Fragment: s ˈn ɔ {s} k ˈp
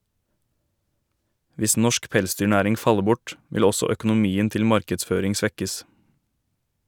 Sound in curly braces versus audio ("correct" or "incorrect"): incorrect